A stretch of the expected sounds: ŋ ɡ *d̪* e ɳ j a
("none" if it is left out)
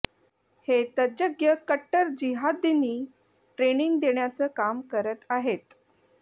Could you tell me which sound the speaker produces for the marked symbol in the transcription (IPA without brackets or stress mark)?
d̪